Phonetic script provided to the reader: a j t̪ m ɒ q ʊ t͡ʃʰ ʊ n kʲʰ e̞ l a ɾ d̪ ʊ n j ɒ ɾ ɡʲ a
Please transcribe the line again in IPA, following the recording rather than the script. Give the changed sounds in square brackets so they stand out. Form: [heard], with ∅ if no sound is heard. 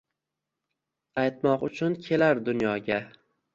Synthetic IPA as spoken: a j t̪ m ɒ q ʊ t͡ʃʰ ʊ n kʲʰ e̞ l a ɾ d̪ ʊ n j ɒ [∅] ɡʲ a